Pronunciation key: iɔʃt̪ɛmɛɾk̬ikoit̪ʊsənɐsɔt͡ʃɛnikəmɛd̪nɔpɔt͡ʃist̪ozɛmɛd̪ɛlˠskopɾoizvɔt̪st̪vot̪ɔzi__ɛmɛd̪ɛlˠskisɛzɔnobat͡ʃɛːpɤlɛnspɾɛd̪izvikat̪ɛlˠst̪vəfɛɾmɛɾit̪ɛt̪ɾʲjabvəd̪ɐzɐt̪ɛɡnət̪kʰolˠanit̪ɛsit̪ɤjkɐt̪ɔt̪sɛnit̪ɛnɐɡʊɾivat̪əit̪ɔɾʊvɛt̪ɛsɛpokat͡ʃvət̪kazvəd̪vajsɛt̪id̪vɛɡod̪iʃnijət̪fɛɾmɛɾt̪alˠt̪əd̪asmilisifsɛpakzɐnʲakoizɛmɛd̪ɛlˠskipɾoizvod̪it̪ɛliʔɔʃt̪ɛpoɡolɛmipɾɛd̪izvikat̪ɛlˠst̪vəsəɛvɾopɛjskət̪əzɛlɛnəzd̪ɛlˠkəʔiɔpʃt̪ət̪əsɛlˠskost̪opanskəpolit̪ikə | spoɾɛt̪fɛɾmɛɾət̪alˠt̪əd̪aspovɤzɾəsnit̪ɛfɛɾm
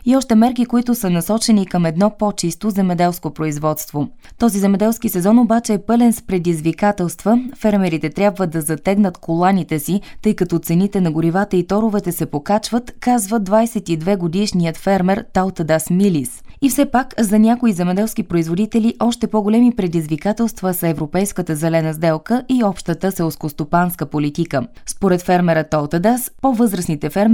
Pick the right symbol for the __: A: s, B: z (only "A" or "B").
B